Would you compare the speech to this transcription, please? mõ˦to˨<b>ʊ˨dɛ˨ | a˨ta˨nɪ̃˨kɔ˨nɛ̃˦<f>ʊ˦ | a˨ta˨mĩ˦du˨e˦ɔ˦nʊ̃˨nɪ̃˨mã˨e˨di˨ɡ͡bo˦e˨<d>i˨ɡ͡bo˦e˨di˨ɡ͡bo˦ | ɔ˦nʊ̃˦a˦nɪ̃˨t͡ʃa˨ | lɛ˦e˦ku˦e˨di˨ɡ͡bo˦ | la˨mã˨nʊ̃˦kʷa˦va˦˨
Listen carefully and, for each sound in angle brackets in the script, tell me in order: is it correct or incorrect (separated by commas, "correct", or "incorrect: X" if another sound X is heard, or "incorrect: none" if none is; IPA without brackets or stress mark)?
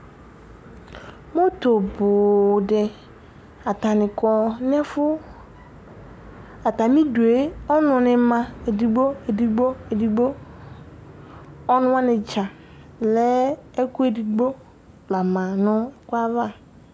correct, correct, correct